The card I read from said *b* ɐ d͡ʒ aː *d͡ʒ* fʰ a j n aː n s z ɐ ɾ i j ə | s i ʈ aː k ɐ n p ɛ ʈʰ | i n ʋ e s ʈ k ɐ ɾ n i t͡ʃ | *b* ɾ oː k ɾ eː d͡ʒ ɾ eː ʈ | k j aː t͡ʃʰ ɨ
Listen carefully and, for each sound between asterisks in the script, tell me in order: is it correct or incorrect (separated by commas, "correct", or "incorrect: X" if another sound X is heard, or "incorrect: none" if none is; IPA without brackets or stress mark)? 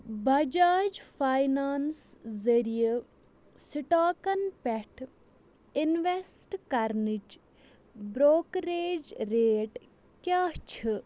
correct, correct, correct